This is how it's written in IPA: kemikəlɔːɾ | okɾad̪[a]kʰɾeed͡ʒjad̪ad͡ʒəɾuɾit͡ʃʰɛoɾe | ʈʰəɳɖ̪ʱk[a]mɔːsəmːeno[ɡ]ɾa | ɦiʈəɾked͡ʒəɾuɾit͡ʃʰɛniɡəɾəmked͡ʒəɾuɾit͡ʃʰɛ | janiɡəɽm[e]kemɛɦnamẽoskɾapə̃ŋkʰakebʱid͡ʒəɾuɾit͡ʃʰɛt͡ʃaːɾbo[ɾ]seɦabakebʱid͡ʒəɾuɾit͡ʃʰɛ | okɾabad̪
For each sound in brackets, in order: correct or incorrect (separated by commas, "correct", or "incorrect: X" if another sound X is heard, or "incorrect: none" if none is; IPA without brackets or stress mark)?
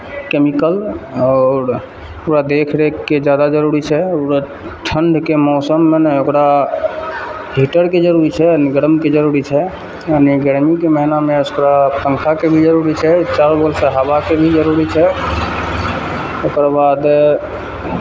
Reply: incorrect: e, incorrect: e, incorrect: k, incorrect: i, incorrect: l